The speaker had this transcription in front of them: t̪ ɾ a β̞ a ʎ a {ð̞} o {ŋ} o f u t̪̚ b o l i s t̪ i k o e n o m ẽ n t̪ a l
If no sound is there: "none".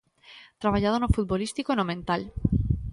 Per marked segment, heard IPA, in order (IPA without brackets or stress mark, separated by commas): ð̞, n